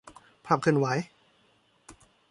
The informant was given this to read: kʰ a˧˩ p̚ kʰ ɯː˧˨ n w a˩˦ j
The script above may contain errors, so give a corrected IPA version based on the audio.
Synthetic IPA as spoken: pʰ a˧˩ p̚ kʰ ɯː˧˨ n w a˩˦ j